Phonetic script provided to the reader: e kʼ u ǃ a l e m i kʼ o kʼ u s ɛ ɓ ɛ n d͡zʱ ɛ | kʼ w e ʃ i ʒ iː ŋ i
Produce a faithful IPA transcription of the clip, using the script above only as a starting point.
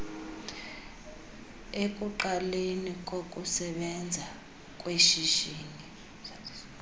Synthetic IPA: e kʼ u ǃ a l e n i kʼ o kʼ u s ɛ ɓ ɛ n d͡zʱ a | kʼ w e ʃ i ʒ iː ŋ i